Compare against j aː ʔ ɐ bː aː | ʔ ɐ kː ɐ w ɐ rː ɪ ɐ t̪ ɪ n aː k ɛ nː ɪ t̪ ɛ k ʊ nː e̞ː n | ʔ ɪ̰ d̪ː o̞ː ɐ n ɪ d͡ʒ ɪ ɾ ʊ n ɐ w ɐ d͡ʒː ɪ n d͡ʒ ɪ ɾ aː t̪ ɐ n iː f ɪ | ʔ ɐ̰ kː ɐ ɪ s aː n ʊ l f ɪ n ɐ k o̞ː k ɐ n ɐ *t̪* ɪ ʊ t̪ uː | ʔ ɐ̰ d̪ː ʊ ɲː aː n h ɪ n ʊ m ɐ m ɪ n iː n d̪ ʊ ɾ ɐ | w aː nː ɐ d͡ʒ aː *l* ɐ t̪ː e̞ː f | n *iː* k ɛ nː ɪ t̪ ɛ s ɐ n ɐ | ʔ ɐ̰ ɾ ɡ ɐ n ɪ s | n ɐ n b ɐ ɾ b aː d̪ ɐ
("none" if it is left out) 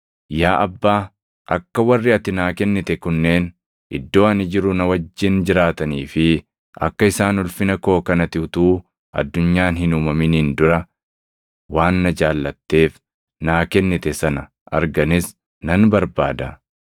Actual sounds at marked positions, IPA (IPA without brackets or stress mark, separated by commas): t̪, lː, aː